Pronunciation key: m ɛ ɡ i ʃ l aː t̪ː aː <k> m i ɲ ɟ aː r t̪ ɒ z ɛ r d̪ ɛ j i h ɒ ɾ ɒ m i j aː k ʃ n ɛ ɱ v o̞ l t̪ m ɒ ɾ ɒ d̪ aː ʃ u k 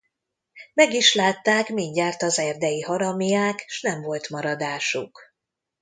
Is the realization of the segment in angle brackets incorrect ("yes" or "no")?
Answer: no